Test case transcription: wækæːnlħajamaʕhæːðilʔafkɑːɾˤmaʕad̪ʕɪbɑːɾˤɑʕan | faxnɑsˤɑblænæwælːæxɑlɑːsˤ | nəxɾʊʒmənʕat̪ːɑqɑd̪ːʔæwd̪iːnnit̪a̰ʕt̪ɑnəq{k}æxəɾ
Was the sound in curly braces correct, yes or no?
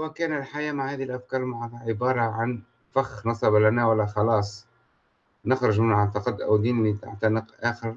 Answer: no